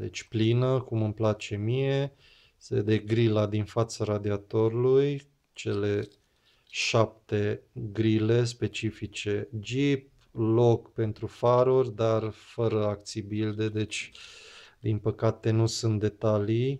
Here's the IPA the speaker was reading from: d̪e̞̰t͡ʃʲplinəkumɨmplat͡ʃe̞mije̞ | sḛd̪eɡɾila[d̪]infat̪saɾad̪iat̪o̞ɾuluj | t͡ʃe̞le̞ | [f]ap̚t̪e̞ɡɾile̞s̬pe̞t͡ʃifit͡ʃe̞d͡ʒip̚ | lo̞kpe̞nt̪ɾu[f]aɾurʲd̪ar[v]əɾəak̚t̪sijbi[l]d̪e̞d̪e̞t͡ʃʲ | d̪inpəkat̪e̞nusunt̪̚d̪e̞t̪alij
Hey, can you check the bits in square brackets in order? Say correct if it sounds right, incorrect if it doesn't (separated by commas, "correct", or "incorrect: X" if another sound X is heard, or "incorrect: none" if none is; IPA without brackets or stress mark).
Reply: correct, incorrect: ʃ, correct, incorrect: f, correct